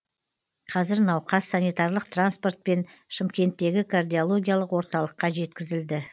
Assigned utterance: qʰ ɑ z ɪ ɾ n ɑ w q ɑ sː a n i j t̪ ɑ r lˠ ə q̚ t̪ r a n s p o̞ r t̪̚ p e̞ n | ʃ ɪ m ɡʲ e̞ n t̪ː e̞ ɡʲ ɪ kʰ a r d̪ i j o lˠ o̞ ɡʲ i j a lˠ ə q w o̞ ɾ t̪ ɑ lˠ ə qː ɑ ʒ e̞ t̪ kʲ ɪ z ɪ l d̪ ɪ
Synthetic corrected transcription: qʰ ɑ z ɪ ɾ n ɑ w q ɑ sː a n i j t̪ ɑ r lˠ ə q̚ t̪ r a n s p o̞ r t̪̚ p e̞ n | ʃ ɪ m kʲ e̞ n t̪ː e̞ ɡʲ ɪ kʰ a r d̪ i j o lˠ o̞ ɡʲ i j a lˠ ə q w o̞ ɾ t̪ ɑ lˠ ə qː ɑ ʒ e̞ t̪ kʲ ɪ z ɪ l d̪ ɪ